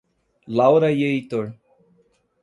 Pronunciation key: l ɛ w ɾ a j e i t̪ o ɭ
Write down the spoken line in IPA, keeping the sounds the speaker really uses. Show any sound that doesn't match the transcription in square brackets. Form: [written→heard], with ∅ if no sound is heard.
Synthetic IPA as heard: l [ɛ→a] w ɾ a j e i t̪ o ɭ

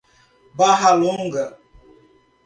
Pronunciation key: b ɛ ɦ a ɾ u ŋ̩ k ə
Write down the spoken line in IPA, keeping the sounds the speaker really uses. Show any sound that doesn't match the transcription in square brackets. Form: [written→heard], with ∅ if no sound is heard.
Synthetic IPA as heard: b [ɛ→a] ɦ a [ɾ→l] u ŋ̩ [k→ɡ] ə

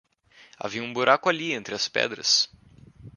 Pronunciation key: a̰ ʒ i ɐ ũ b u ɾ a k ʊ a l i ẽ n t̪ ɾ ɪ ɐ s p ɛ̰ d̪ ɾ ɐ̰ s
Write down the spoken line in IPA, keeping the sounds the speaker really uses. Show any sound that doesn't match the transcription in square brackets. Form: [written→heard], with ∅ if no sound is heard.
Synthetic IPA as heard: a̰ [ʒ→v] i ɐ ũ b u ɾ a k ʊ a l i ẽ n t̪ ɾ ɪ ɐ s p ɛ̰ d̪ ɾ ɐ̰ s

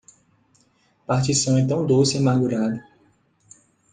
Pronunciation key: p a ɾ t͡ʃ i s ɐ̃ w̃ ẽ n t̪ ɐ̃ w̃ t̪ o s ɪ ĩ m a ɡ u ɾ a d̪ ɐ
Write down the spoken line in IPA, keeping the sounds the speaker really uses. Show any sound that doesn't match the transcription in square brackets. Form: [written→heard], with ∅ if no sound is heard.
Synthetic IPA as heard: p a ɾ t͡ʃ i s ɐ̃ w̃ ẽ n t̪ ɐ̃ w̃ [t̪→d̪] o s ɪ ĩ m a ɡ u ɾ a d̪ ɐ

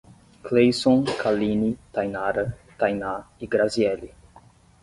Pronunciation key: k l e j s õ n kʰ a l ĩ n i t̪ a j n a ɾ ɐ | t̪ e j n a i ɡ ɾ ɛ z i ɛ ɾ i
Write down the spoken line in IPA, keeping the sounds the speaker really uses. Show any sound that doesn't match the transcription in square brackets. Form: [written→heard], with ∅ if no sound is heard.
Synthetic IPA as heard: k l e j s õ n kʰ a l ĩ n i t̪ a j n a ɾ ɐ | t̪ [e→a] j n a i ɡ ɾ [ɛ→a] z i ɛ [ɾ→l] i

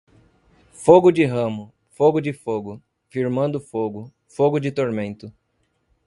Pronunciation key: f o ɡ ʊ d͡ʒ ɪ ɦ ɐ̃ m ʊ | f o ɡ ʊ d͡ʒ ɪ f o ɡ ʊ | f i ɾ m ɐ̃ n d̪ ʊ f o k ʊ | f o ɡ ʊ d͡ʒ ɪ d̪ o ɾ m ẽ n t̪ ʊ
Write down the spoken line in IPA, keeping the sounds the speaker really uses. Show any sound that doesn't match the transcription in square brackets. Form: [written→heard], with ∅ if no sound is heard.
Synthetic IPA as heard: f o ɡ ʊ d͡ʒ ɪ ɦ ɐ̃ m ʊ | f o ɡ ʊ d͡ʒ ɪ f o ɡ ʊ | f i ɾ m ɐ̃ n d̪ ʊ f o [k→ɡ] ʊ | f o ɡ ʊ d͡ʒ ɪ [d̪→t̪] o ɾ m ẽ n t̪ ʊ

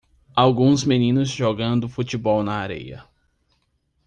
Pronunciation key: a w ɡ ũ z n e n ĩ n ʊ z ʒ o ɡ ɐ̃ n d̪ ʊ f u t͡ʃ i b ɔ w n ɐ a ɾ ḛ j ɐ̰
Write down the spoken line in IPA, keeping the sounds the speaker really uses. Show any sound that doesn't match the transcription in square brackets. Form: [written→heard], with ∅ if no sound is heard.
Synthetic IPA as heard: a w ɡ ũ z [n→m] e n ĩ n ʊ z ʒ o ɡ ɐ̃ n d̪ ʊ f u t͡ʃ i b ɔ w n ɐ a ɾ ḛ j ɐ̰

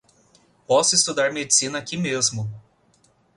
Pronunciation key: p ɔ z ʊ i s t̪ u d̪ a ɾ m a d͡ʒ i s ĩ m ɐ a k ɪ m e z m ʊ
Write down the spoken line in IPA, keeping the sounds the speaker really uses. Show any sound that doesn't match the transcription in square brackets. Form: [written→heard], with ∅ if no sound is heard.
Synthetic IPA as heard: p ɔ [z→s] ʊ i s t̪ u d̪ a ɾ m [a→e] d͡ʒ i s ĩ [m→n] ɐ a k [ɪ→i] m e z m ʊ

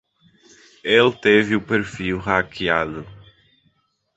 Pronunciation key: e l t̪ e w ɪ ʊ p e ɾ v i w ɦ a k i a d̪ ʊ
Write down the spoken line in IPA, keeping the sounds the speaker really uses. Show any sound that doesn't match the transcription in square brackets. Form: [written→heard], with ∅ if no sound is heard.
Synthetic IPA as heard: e l t̪ e [w→v] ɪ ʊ p e ɾ [v→f] i w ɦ a k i a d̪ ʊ

